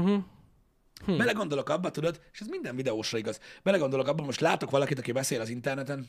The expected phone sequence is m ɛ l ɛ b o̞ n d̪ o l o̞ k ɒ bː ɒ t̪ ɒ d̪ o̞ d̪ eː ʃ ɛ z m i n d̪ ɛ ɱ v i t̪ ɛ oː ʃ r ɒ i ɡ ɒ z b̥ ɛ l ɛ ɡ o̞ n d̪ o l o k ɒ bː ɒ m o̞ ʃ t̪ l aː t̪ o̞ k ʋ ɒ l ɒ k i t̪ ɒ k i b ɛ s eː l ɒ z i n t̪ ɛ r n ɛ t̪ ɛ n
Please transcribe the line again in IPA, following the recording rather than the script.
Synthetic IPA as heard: b ɛ l ɛ ɡ o̞ n d̪ o l o̞ k ɒ bː ɒ t̪ u d̪ o̞ d̪ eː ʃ ɛ z m i n d̪ ɛ ɱ v i d̪ ɛ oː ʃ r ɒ i ɡ ɒ z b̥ ɛ l ɛ ɡ o̞ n d̪ o l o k ɒ bː ɒ m o̞ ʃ t̪ l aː t̪ o̞ k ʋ ɒ l ɒ k i t̪ ɒ k i b ɛ s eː l ɒ z i n t̪ ɛ r n ɛ t̪ ɛ n